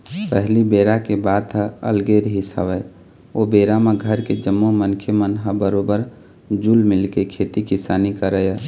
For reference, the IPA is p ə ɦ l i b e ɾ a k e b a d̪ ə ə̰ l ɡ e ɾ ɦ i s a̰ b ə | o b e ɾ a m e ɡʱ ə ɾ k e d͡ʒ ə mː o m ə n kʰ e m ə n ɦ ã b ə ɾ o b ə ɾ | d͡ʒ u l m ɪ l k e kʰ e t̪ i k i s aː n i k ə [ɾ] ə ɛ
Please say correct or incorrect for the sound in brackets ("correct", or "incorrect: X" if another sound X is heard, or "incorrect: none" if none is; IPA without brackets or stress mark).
correct